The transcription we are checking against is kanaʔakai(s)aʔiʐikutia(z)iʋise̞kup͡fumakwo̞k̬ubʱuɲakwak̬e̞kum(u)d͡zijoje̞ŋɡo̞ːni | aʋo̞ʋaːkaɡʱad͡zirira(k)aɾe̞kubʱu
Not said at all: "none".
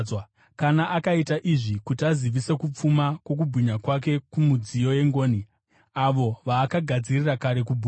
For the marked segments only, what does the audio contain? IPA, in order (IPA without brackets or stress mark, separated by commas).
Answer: t, z, u, k